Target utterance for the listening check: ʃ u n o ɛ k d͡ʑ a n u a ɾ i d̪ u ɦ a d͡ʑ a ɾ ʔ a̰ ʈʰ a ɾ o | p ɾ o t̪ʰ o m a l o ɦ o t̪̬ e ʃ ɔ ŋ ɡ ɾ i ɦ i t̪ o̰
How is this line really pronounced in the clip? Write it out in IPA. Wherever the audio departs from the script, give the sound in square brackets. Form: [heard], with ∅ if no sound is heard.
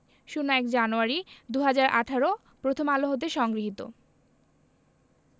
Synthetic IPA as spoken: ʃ u n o ɛ k d͡ʑ a n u a ɾ i d̪ u ɦ a d͡ʑ a ɾ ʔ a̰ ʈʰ a ɾ o | p ɾ o t̪ʰ o m a l o ɦ o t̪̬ e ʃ ɔ ŋ ɡ ɾ i ɦ i t̪ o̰